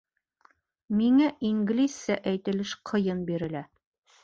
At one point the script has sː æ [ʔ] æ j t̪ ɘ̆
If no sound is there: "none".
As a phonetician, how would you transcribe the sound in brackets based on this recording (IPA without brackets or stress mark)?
ʔ